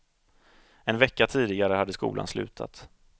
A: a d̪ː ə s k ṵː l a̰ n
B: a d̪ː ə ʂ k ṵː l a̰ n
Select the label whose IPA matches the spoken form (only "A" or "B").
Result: A